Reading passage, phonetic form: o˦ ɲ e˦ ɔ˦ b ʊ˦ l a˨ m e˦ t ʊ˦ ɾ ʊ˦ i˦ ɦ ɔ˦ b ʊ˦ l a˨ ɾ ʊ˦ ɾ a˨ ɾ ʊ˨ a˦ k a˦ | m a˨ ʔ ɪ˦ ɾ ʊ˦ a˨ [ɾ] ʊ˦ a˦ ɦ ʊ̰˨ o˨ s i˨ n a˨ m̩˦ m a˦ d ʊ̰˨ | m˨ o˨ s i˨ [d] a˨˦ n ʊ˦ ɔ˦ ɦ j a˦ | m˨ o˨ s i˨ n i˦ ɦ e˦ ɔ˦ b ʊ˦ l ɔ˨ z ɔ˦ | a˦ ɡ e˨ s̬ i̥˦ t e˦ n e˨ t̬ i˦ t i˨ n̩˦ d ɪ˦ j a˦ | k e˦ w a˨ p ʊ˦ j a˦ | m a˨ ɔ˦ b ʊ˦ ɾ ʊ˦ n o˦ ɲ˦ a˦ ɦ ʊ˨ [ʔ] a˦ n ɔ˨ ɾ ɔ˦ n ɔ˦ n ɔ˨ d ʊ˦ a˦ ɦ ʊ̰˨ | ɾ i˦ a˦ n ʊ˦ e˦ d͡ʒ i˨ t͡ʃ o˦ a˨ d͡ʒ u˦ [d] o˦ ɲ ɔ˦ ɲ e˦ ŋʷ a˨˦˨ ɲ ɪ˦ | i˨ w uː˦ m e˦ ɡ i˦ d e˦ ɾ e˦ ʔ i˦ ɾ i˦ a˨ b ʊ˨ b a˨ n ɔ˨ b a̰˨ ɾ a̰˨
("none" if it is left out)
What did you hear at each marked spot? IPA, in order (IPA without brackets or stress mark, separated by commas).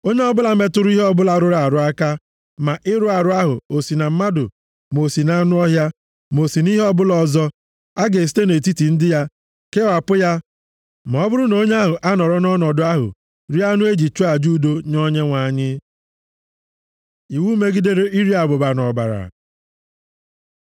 ɾ, n, ʔ, d